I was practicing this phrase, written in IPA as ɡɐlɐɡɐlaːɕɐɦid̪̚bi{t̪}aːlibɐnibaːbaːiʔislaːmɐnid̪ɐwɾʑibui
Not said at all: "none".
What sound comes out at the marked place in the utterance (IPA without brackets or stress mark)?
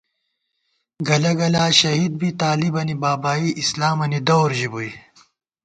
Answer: t̪